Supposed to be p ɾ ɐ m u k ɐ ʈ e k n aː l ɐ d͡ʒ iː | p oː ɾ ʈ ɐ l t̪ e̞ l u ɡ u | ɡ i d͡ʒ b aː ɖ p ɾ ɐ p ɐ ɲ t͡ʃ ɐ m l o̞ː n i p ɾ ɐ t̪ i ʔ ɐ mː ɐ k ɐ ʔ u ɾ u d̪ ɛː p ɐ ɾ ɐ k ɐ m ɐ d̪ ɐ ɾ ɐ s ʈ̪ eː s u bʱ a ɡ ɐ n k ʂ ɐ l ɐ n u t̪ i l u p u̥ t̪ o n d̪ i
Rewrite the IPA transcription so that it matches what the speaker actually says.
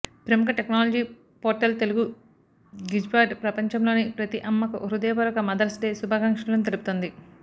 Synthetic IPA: p ɾ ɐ m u k ɐ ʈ e k n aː l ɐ d͡ʒ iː | p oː ɾ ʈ ɐ l t̪ e̞ l u ɡ u | ɡ i d͡ʒ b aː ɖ p ɾ ɐ p ɐ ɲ t͡ʃ ɐ m l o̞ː n i p ɾ ɐ t̪ i ʔ ɐ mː ɐ k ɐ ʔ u ɾ u d̪ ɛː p ɐ ɾ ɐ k ɐ m ɐ d̪ ɐ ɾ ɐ s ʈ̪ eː s u bʱ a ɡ ɐ ŋ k ʂ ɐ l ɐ n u t̪ e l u p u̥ t̪ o n d̪ i